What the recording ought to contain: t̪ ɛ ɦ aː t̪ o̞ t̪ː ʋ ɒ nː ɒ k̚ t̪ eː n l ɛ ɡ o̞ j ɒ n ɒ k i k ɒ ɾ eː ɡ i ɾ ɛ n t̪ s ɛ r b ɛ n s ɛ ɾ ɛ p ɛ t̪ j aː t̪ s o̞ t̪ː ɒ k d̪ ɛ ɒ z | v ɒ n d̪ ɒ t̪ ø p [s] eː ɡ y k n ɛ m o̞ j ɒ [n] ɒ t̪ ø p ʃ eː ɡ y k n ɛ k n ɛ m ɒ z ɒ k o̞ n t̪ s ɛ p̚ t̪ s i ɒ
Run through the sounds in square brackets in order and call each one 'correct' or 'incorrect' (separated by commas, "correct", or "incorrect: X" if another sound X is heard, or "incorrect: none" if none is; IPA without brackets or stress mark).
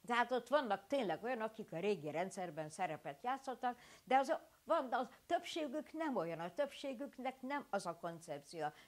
incorrect: ʃ, correct